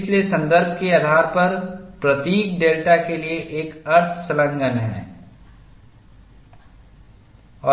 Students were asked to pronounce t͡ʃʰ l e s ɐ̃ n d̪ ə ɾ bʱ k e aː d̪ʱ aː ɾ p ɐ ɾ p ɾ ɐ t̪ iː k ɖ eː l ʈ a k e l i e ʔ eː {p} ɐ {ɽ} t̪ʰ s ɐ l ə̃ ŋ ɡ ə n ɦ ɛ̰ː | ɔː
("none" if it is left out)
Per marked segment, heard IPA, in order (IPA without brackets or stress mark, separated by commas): k, ɾ